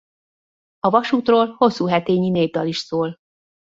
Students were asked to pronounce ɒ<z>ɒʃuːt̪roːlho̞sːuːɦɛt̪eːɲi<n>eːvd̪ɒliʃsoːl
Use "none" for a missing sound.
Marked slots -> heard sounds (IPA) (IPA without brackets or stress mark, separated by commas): v, n